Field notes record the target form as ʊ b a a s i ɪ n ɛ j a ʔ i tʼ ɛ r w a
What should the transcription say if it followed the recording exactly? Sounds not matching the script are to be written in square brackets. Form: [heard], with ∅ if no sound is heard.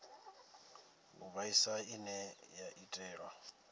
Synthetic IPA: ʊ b a [i] s [a] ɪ n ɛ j a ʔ i tʼ [ɛː] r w a